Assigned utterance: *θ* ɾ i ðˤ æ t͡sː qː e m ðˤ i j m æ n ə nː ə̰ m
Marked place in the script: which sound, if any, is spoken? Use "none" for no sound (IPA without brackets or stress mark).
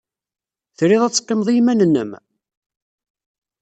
θ